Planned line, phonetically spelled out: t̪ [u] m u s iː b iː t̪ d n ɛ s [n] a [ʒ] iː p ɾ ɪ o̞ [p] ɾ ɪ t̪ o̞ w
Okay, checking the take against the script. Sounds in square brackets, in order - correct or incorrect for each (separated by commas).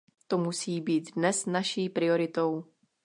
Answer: incorrect, correct, incorrect, incorrect